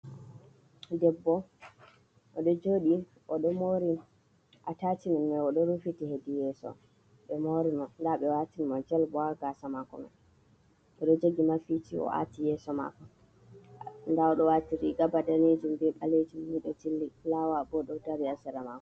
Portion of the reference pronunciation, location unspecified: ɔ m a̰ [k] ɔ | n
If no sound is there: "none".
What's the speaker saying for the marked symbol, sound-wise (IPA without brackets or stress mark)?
k